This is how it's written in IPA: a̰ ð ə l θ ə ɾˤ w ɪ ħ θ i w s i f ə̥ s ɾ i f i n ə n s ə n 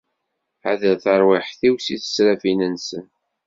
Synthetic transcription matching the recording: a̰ ð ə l θ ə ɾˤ w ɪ ħ θ i w s i θ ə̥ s ɾ æ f i n ə n s ə n